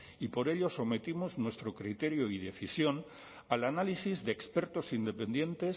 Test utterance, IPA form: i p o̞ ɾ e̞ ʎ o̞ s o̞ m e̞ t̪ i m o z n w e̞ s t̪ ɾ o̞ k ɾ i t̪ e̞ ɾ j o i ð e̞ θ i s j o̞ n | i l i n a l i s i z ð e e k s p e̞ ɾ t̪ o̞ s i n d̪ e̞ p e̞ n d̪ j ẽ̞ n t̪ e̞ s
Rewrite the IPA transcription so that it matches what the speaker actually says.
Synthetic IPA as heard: i p o̞ ɾ e̞ ʎ o̞ s o̞ m e̞ t̪ i m o z n w e̞ s t̪ ɾ o̞ k ɾ i t̪ e̞ ɾ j o i ð e̞ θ i s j o̞ n | a l a n a l i s i z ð e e k s p e̞ ɾ t̪ o̞ s i n d̪ e̞ p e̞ n d̪ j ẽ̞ n t̪ e̞ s